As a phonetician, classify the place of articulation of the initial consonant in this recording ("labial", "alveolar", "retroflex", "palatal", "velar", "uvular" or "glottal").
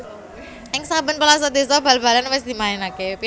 velar